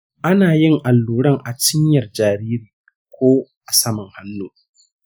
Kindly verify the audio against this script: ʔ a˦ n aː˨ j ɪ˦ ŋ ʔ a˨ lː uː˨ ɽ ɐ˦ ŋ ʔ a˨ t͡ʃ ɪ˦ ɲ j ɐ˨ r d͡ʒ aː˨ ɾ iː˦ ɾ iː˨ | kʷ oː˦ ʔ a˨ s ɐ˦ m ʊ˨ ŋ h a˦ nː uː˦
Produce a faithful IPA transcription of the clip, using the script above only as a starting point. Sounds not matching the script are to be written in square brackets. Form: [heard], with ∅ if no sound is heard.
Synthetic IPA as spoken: ʔ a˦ n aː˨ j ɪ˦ ŋ ʔ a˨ lː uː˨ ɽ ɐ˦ ŋ ʔ a˨ t͡ʃ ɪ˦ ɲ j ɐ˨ r d͡ʒ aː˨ ɾ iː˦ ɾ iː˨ | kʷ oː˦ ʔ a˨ s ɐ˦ m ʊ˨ ŋ h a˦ nː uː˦

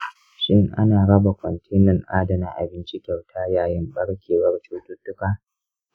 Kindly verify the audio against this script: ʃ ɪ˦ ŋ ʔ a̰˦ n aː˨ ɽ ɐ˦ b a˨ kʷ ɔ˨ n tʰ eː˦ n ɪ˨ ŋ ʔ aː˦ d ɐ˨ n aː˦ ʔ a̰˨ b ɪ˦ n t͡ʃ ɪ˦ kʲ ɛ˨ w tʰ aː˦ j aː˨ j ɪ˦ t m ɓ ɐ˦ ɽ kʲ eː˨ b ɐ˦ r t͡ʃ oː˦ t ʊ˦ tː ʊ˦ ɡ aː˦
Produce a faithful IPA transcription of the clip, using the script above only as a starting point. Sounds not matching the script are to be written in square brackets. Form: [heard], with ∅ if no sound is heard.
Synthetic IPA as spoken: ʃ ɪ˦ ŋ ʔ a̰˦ n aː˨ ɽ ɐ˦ b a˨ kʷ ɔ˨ n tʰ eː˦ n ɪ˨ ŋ ʔ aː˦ d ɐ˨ n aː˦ ʔ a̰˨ b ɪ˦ n t͡ʃ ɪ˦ kʲ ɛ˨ w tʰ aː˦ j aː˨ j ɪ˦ [∅] m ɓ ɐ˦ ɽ kʲ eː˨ [w] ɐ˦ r t͡ʃ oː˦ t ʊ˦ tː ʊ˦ [k] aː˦

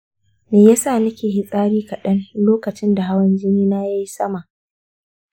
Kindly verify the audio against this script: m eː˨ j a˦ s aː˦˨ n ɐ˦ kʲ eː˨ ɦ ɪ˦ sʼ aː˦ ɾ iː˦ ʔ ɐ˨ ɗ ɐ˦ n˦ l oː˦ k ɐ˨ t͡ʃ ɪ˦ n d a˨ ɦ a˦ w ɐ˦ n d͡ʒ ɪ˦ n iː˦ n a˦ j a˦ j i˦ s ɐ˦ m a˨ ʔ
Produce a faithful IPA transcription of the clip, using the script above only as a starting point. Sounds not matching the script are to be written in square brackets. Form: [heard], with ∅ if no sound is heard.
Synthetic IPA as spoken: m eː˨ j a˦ s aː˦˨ n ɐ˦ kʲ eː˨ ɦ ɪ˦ sʼ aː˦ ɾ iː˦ [k] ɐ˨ ɗ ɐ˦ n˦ l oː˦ k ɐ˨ t͡ʃ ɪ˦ n d a˨ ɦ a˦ w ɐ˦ n d͡ʒ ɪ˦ n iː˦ n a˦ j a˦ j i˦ s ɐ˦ m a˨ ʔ

